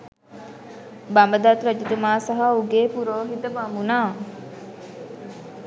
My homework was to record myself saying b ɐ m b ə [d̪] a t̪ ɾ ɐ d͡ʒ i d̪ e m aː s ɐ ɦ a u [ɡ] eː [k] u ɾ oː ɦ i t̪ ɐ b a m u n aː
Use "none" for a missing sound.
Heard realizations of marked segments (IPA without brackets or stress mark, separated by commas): d̪, ɡ, p